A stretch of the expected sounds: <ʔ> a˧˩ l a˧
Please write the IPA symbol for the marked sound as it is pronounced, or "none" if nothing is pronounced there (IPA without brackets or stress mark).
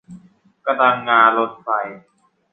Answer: k